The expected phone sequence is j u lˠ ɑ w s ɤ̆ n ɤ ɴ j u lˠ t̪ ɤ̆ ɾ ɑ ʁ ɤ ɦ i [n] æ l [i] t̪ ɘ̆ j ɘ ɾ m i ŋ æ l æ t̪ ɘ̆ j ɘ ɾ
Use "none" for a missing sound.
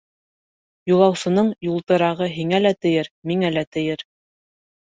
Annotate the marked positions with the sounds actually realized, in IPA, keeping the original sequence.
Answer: ŋ, æ

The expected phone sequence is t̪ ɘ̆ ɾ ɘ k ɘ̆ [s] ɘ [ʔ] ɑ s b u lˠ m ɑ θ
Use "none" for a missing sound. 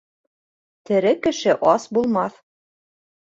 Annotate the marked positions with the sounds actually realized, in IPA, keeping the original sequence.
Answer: ʃ, ʔ

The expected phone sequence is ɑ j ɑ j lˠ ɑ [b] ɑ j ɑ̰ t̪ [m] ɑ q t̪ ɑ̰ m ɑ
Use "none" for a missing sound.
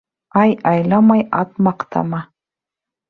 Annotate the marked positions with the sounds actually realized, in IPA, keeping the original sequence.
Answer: m, m

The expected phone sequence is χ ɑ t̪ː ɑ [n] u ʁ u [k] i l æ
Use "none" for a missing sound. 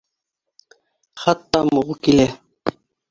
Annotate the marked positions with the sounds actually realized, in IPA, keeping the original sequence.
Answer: m, k

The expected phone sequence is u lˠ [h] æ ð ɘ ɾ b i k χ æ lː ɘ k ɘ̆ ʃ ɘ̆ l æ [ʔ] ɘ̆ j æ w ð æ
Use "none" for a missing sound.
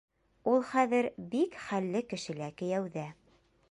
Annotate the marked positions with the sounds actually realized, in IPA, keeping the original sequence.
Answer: χ, k

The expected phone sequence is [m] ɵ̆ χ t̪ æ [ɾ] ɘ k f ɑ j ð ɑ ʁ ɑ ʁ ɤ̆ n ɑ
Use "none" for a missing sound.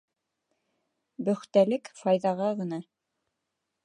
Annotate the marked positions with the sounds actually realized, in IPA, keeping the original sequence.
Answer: b, l

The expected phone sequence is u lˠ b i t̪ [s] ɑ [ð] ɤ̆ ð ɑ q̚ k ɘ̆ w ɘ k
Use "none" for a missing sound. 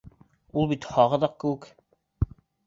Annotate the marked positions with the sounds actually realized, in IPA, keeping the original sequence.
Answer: h, ʁ

